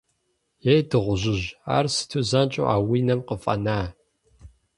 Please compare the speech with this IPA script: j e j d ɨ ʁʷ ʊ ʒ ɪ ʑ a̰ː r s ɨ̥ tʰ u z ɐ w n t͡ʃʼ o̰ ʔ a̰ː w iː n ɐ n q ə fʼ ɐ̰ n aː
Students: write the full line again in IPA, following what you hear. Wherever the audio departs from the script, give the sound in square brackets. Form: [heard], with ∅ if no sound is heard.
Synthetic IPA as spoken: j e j d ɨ ʁʷ ʊ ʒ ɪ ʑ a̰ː r s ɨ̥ tʰ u z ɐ [∅] n t͡ʃʼ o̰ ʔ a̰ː w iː n ɐ [m] q ə fʼ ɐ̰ n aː